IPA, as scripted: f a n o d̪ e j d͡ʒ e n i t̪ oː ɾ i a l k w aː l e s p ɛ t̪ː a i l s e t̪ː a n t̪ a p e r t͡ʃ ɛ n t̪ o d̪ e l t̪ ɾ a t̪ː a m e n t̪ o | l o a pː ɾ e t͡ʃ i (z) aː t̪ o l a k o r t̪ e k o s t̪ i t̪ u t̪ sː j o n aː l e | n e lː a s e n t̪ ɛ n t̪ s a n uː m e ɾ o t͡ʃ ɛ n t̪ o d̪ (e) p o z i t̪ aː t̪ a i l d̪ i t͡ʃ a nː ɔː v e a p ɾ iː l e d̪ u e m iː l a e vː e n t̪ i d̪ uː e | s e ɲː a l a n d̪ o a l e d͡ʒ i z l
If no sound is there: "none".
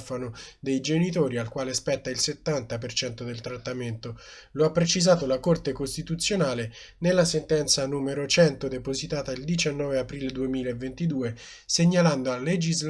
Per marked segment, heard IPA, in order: z, e

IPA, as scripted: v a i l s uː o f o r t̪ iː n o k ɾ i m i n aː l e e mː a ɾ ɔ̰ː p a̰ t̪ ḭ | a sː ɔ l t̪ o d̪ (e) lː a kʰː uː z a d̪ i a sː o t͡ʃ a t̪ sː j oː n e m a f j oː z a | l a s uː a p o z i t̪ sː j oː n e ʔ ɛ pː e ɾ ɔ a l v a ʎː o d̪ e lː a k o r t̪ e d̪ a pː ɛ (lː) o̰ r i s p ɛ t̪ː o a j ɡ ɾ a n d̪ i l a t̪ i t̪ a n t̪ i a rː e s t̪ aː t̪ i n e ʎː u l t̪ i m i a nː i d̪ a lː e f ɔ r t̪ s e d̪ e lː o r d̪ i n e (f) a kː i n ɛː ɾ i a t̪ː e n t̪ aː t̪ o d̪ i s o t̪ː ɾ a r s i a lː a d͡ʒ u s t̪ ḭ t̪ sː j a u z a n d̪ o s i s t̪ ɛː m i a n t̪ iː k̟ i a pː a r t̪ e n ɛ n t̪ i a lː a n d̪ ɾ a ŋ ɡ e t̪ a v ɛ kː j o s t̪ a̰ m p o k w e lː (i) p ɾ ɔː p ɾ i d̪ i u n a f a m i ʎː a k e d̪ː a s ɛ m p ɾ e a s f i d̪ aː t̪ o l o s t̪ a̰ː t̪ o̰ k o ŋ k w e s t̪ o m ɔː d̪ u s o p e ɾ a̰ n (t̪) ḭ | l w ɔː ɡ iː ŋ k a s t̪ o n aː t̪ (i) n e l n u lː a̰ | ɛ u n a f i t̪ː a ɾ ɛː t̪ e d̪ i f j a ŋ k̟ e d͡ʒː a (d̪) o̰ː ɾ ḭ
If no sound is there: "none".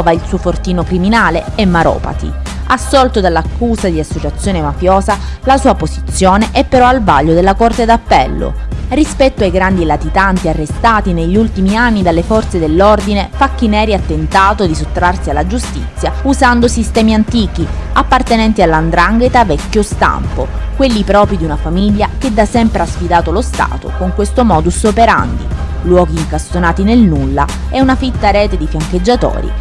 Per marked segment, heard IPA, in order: a, lː, f, i, d̪, i, t̪

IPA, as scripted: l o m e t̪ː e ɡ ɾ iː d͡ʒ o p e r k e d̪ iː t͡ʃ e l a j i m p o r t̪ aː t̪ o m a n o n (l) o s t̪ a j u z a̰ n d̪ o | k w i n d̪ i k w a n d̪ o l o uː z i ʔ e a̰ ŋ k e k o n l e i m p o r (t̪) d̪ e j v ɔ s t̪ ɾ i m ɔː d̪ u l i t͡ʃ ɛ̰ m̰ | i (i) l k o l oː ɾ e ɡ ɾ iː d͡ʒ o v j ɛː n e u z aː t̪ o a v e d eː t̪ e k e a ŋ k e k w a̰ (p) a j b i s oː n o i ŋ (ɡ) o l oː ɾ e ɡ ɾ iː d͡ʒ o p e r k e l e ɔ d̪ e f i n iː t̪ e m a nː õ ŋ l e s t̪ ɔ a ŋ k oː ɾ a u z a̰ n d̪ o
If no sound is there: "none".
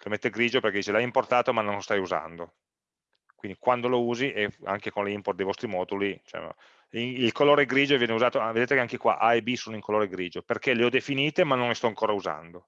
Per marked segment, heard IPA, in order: l, t̪, i, ʔ, k

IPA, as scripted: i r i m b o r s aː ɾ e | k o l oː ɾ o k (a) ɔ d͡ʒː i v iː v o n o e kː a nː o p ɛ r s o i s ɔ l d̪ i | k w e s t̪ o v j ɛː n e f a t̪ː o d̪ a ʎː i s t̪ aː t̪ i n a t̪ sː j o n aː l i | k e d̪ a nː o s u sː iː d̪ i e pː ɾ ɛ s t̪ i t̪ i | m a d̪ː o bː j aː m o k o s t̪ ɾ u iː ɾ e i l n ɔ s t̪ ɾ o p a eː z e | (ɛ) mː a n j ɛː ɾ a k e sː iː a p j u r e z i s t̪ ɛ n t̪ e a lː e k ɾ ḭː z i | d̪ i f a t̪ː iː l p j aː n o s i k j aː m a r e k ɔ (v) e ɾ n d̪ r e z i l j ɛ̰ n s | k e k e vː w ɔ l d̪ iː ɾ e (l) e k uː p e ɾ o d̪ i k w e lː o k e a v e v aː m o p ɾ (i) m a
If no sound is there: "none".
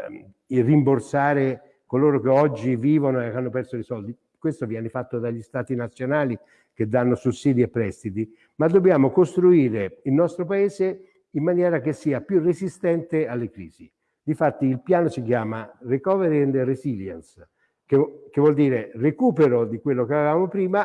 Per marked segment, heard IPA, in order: e, i, v, r, iː

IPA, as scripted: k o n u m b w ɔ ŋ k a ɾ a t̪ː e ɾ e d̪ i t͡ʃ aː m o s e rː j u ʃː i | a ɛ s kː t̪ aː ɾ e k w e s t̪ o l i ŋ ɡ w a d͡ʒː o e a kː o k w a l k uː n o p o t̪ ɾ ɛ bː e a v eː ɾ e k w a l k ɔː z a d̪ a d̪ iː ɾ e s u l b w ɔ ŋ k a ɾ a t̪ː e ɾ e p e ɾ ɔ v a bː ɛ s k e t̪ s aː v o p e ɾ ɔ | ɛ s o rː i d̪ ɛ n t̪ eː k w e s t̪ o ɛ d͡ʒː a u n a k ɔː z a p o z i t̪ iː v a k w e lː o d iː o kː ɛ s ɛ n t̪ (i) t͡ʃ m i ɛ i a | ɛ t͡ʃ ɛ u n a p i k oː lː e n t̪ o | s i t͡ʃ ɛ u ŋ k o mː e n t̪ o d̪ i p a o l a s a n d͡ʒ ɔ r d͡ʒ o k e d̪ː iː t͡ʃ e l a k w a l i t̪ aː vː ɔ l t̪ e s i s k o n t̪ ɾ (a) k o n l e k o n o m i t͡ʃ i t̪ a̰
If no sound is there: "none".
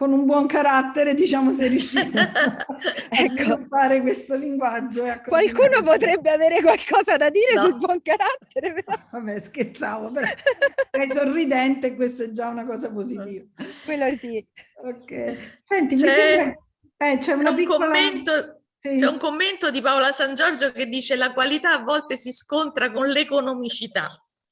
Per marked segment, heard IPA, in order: i, a

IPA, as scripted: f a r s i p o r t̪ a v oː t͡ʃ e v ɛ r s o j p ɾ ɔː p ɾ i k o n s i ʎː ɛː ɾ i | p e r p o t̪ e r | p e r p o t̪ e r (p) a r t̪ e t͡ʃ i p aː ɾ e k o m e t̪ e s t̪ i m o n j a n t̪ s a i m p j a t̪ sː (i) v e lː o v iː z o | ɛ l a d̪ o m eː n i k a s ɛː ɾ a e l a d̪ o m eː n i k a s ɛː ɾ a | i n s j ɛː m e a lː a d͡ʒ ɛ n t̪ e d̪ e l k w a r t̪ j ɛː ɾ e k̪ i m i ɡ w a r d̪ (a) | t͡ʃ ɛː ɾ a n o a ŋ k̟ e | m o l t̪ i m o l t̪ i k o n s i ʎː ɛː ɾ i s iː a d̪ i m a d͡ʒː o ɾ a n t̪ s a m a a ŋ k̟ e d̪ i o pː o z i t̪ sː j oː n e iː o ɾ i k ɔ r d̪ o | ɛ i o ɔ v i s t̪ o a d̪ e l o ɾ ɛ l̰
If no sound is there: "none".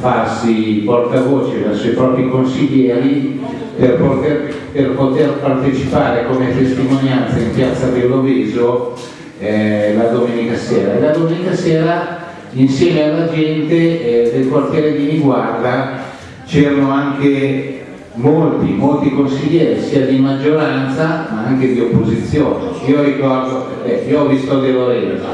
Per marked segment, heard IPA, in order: p, a, a

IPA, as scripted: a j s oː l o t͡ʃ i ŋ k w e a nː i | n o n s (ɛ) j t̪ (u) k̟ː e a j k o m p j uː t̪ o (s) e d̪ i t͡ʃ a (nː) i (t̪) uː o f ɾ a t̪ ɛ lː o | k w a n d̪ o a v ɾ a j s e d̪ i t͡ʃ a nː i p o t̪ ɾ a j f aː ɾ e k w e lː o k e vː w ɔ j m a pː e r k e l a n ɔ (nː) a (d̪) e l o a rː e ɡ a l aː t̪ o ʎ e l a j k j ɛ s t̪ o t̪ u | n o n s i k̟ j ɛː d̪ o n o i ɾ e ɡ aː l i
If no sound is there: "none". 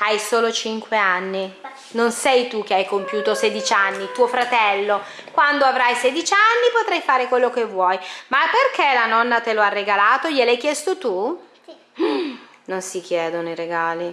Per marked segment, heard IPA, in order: ɛ, u, s, nː, t̪, nː, t̪

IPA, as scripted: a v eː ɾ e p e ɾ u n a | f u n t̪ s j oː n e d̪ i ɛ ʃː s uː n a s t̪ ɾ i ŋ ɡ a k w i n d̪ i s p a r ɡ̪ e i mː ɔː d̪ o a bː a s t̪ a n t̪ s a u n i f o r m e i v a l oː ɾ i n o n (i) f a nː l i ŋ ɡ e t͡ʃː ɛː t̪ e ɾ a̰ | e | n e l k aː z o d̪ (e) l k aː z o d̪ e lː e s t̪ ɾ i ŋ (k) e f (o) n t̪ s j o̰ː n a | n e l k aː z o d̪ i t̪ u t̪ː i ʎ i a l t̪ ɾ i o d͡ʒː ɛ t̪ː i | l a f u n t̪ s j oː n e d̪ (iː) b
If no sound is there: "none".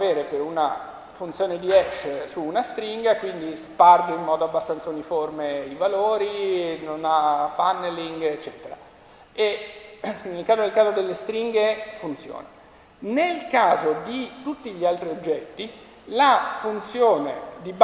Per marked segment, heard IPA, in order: a, e, ɡ, u, i

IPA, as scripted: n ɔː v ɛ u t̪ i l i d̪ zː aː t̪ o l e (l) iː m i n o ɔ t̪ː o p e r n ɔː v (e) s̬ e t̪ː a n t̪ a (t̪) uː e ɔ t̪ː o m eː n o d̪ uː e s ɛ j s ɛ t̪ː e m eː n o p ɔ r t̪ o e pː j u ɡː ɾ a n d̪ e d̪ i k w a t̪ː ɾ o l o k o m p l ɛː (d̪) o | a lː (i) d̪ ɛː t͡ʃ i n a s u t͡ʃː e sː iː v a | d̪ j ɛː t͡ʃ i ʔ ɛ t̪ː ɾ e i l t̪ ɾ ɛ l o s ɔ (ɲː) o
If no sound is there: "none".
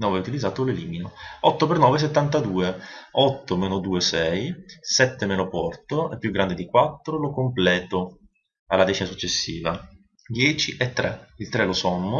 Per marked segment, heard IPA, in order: l, e, d̪, t̪, a, mː

